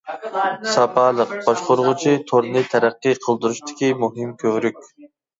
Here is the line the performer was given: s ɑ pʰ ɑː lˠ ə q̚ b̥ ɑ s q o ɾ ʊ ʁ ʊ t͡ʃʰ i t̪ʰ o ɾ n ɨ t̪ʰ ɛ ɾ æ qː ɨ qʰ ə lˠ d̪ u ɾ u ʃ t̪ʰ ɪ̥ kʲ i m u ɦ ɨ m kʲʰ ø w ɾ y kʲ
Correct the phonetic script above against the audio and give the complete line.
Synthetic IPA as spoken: s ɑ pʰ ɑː lˠ ə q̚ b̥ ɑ ʃ q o ɾ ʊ ʁ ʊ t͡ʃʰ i t̪ʰ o ɾ n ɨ t̪ʰ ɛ ɾ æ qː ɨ qʰ ə lˠ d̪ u ɾ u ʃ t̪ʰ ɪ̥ kʲ i m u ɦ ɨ m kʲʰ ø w ɾ y kʲ